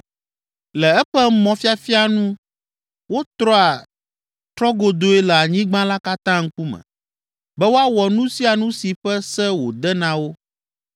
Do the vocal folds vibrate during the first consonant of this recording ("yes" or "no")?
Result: yes